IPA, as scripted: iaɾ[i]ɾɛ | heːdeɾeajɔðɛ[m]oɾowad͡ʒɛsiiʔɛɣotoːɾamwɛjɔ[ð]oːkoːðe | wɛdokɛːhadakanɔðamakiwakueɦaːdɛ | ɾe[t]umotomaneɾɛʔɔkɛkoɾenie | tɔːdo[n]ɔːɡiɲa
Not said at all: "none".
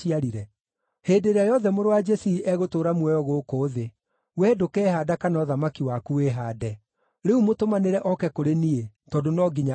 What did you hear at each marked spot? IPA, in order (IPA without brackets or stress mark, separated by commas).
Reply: i, m, ɣ, none, n